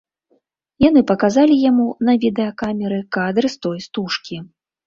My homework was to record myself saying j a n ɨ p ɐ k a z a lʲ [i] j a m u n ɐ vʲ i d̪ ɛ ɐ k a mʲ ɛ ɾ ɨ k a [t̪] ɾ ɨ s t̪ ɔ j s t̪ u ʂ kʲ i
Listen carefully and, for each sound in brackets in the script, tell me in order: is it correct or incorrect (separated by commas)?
correct, incorrect